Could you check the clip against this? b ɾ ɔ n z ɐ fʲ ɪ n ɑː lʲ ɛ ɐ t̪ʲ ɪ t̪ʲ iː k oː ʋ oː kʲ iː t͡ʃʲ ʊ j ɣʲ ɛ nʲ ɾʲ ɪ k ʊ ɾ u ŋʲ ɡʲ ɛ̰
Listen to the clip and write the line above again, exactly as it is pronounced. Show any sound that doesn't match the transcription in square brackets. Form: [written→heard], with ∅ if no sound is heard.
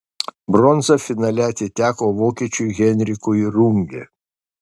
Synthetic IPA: b ɾ ɔ n z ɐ fʲ ɪ n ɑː lʲ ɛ ɐ t̪ʲ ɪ t̪ʲ [iː→æː] k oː ʋ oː kʲ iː t͡ʃʲ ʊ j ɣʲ ɛ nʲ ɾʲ ɪ k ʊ ɾ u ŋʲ ɡʲ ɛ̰